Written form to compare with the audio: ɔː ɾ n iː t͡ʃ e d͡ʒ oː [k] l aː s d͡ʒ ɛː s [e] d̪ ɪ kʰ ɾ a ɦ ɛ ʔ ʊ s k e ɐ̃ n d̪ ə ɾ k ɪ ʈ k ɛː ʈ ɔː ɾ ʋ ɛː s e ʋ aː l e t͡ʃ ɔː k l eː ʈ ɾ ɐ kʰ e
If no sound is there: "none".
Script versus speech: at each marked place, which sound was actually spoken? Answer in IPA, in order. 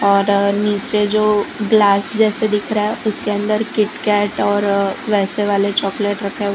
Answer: ɡ, e

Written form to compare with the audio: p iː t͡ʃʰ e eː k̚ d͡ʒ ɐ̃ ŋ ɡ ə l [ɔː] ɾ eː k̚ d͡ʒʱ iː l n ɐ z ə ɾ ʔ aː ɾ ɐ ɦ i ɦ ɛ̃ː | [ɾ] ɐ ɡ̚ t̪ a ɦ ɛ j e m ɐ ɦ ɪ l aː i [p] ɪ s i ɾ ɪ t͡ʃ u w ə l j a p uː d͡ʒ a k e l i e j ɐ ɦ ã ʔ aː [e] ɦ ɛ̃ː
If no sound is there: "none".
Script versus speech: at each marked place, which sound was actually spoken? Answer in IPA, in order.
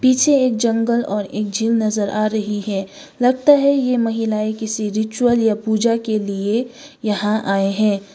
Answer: ɔː, l, k, e

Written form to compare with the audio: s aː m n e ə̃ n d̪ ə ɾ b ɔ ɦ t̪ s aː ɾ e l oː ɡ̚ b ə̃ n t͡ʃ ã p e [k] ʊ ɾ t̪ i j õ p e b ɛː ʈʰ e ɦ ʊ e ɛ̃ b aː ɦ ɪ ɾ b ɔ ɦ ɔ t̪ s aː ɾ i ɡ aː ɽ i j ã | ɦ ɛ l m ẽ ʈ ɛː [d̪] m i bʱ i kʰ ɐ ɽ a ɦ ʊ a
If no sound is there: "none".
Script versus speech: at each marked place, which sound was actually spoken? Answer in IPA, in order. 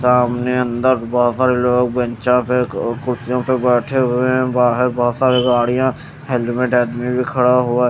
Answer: k, d̪

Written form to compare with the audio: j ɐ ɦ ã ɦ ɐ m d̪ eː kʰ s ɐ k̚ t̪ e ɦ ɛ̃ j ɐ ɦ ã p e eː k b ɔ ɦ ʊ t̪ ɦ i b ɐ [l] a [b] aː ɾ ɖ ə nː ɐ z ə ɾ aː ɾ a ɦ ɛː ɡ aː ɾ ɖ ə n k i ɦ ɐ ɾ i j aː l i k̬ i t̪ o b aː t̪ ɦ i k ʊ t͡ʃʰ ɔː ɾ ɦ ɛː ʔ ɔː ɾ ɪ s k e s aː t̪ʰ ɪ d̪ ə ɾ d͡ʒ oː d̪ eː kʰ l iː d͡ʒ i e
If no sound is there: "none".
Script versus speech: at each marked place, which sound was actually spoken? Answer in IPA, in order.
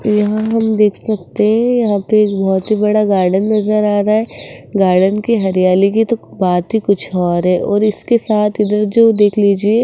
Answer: ɽ, ɡ

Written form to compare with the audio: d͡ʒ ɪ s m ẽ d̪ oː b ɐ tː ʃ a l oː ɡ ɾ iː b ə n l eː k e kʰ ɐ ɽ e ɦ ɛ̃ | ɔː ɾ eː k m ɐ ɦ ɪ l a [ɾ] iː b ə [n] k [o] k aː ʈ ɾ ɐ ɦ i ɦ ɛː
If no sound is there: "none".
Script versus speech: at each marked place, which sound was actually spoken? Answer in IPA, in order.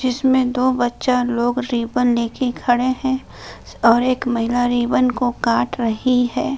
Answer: ɾ, n, o

